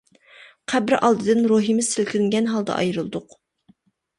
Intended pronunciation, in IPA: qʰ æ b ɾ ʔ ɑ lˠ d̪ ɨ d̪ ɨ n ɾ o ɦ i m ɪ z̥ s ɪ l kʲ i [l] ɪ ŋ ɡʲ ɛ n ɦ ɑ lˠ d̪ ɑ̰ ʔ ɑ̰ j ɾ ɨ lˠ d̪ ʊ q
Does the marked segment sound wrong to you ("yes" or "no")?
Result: no